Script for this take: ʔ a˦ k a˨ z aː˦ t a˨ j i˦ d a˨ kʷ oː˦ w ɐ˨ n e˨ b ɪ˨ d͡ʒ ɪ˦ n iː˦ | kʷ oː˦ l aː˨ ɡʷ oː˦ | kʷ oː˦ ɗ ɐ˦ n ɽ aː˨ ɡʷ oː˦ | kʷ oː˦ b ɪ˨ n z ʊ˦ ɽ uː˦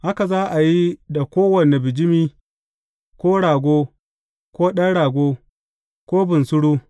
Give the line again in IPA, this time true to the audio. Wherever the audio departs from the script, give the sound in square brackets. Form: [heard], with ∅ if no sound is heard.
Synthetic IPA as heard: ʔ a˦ k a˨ z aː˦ [ʔ] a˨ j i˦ d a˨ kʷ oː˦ w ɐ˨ n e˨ b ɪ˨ d͡ʒ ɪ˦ [m] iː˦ | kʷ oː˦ [ɽ] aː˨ ɡʷ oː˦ | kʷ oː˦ ɗ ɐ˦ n ɽ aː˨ ɡʷ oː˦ | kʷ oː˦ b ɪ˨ n [s] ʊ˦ ɽ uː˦